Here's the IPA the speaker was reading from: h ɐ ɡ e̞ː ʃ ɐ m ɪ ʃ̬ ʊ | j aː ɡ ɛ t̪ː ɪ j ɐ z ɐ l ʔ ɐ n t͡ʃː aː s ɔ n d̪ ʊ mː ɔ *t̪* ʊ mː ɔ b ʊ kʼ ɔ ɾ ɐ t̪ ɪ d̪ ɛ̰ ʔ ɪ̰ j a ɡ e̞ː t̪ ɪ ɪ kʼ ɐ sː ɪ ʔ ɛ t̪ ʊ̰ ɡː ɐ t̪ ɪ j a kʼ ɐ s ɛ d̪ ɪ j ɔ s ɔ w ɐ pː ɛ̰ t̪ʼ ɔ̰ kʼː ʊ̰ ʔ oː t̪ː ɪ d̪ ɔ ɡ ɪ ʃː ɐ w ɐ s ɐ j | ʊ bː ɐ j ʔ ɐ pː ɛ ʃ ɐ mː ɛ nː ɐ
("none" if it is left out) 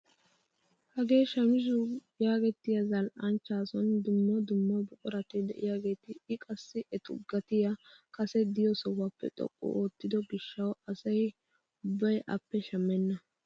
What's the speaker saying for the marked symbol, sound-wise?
d̪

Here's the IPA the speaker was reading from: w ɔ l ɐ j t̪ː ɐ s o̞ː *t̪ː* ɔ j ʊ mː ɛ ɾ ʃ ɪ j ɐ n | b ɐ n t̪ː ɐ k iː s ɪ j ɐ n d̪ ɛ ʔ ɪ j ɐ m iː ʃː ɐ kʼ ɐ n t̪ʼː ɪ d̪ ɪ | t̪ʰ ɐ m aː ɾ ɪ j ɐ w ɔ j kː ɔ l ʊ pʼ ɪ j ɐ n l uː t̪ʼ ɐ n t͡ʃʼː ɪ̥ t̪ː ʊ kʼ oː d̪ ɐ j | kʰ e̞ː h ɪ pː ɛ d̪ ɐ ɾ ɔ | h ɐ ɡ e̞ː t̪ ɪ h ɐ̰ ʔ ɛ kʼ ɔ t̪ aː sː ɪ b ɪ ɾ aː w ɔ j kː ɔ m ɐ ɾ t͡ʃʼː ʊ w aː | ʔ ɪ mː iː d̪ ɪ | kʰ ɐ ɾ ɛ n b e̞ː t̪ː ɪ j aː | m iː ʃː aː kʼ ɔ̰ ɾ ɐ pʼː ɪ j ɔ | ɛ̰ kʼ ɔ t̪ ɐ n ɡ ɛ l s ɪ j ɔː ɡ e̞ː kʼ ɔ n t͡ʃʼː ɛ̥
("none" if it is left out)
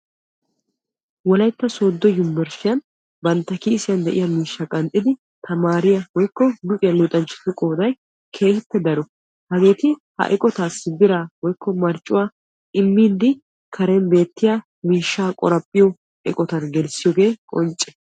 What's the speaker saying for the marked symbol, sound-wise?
d̪ː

